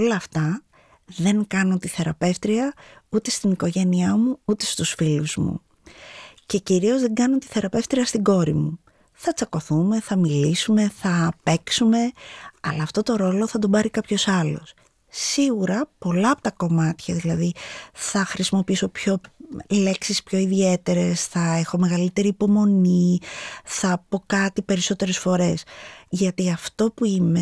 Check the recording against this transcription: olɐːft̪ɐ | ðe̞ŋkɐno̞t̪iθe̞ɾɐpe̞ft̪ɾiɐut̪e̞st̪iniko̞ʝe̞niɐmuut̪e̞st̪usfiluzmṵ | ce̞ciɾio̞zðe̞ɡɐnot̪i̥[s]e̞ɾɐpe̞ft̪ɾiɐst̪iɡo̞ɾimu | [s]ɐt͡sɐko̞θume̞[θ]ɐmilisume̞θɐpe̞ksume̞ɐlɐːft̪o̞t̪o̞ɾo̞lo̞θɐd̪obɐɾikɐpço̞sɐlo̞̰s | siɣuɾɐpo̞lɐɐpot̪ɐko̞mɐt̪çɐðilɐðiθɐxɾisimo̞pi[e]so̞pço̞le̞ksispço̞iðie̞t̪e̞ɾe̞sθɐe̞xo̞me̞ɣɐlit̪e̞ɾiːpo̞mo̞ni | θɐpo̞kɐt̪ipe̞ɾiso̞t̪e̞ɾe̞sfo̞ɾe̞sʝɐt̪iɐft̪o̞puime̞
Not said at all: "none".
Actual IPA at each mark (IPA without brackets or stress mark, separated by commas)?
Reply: θ, θ, θ, i